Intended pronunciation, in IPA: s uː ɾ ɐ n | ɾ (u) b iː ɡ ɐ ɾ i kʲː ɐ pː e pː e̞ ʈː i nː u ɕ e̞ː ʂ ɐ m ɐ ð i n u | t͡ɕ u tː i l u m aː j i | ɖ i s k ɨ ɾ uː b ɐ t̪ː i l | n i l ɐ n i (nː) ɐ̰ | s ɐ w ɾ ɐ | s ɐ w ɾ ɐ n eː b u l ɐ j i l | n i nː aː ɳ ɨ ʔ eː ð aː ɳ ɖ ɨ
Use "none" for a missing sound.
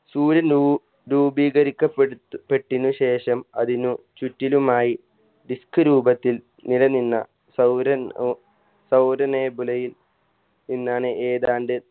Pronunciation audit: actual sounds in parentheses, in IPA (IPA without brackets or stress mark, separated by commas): uː, nː